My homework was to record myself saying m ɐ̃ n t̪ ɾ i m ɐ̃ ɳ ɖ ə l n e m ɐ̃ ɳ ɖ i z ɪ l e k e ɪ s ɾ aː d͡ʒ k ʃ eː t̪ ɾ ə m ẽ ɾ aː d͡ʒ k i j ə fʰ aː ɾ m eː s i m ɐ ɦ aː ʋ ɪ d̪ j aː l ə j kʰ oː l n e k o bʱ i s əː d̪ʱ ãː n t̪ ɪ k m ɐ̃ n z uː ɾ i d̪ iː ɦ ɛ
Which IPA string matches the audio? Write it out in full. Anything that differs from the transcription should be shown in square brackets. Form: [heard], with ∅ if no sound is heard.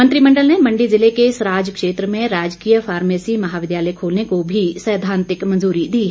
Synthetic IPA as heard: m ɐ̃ n t̪ ɾ i m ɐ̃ ɳ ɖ ə l n e m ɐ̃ ɳ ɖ i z ɪ l e k e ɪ s ɾ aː d͡ʒ k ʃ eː t̪ ɾ ə m ẽ ɾ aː d͡ʒ k i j ə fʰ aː ɾ m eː s i m ɐ ɦ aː ʋ ɪ d̪ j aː l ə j kʰ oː l n e k o bʱ i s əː d̪ʱ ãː n t̪ ɪ k m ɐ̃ n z uː ɾ i d̪ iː ɦ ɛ